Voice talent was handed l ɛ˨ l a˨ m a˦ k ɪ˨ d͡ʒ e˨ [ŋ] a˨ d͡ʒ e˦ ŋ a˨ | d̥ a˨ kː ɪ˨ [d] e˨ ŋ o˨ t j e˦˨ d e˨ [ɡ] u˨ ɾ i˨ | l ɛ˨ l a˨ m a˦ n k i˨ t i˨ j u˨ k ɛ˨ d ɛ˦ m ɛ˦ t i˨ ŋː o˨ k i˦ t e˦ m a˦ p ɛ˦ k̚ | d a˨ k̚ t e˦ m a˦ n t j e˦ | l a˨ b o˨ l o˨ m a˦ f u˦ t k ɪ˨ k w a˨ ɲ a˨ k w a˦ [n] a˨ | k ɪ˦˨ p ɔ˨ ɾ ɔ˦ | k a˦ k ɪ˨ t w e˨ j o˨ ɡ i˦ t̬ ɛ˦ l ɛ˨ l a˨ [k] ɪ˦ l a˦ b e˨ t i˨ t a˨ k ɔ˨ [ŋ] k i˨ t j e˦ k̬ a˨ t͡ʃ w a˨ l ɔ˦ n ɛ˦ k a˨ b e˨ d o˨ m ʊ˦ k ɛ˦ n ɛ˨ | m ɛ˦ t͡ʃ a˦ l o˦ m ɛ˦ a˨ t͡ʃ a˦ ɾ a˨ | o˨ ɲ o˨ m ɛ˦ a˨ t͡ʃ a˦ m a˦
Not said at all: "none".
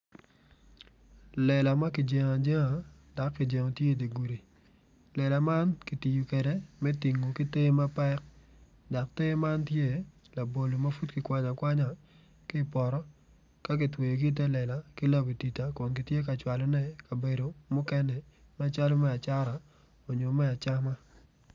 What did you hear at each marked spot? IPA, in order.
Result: ŋ, d͡ʒ, ɡ, ɲ, k, n

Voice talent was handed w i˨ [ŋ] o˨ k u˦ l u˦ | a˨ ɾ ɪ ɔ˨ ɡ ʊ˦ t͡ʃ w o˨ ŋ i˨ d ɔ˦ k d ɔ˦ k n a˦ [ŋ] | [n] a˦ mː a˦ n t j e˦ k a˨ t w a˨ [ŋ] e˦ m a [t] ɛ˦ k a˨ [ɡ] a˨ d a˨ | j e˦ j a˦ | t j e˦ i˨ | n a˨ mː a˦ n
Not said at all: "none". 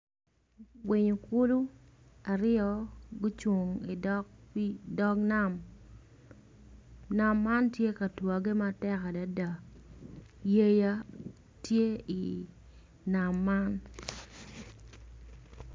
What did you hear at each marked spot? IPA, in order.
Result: ɲ, m, n, ɡ, t, d

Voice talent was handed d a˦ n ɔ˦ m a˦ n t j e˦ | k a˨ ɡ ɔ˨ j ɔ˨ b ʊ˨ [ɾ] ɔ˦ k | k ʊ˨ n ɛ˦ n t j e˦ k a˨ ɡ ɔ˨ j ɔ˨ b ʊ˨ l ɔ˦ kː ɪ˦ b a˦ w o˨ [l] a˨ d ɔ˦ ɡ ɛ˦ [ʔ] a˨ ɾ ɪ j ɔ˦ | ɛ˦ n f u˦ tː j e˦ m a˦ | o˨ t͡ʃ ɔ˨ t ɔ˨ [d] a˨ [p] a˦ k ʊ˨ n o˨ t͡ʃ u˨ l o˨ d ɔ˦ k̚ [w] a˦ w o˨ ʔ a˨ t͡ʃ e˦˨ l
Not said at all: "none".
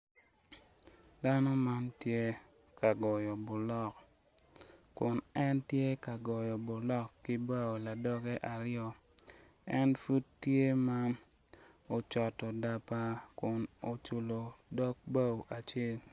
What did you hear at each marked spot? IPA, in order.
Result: l, l, ʔ, d, p, b

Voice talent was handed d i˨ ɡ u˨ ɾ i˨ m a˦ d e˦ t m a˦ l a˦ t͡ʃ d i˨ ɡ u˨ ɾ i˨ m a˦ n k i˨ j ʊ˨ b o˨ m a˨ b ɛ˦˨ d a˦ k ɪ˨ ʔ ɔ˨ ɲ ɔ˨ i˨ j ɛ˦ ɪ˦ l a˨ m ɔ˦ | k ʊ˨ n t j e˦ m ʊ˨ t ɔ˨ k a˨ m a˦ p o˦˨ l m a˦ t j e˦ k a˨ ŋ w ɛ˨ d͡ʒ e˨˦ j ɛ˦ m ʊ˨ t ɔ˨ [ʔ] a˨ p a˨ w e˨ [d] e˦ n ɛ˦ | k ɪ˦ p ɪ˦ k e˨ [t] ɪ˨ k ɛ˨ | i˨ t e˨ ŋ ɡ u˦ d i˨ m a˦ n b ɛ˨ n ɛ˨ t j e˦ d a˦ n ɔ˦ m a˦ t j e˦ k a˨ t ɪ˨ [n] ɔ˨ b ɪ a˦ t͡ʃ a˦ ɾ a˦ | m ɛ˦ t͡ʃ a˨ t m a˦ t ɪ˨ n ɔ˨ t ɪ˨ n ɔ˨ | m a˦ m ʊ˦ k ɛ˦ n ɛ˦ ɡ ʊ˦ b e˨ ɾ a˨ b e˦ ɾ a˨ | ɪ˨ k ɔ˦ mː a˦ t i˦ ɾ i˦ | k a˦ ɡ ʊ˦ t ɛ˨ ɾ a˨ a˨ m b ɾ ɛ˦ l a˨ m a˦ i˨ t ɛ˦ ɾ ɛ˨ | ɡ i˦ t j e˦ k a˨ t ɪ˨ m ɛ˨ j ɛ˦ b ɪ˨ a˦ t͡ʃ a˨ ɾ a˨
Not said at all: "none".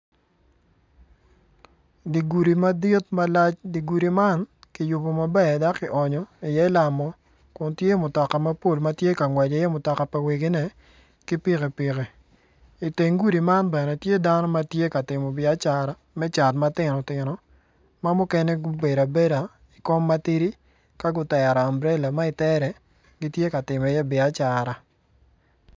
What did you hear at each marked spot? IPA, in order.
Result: k, ɡ, p, m

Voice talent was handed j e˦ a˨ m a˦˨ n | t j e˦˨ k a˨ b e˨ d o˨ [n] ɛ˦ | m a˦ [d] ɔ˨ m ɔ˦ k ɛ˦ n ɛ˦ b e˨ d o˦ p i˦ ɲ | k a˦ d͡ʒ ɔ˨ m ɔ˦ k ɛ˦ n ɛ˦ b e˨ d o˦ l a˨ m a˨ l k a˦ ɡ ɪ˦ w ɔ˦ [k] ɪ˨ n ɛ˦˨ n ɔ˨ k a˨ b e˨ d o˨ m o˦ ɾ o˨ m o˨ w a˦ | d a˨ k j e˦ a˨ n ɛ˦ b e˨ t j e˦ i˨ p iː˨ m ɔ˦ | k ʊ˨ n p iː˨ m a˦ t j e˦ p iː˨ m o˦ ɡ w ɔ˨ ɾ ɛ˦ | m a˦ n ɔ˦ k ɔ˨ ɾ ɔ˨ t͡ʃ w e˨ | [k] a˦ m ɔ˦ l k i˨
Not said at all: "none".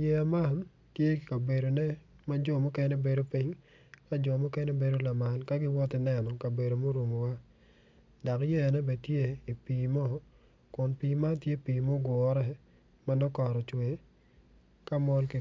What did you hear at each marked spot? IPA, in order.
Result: n, d͡ʒ, t, k

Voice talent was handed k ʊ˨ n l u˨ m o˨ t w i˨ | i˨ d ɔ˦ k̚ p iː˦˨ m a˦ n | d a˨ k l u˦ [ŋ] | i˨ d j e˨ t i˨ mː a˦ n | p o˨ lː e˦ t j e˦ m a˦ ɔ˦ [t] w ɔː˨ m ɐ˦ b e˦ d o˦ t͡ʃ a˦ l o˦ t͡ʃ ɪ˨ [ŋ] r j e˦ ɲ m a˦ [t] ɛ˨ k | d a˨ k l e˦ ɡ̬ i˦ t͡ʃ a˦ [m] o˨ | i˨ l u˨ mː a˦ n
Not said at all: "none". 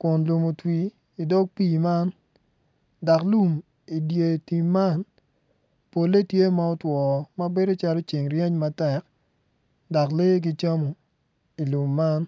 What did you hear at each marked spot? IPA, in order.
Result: m, t, ŋ, t, m

